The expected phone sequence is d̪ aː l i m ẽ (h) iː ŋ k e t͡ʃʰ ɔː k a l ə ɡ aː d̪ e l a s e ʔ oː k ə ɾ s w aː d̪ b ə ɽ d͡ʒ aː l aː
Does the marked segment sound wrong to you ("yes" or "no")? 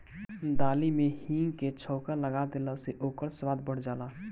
no